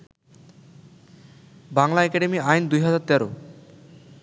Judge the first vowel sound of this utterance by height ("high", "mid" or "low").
low